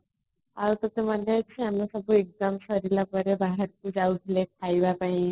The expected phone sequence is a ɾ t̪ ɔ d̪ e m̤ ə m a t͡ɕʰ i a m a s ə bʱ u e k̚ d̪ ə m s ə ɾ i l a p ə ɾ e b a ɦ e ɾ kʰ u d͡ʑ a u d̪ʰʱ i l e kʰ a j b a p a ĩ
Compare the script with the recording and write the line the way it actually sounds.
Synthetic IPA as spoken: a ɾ t̪ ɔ t̪ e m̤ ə n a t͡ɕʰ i a m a s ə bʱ u e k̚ d̪ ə m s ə ɾ i l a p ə ɾ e b a ɦ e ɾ k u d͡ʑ a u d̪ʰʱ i l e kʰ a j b a p a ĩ